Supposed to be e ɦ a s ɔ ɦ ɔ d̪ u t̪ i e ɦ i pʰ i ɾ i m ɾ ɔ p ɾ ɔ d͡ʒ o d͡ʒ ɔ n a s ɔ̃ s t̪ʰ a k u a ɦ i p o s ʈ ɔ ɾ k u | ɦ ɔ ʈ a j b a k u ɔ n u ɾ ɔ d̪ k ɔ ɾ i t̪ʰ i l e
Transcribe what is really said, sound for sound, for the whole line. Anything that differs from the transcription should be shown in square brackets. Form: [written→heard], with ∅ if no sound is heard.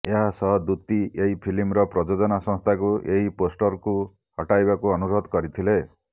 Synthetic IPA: e ɦ a s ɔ ɦ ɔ d̪ u t̪ i e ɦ i pʰ i [ɾ→l] i m ɾ ɔ p ɾ ɔ d͡ʒ o d͡ʒ ɔ n a s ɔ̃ s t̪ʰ a k u [a→e] ɦ i p o s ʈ ɔ ɾ k u | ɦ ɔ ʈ a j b a k u ɔ n u ɾ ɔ d̪ k ɔ ɾ i t̪ʰ i l e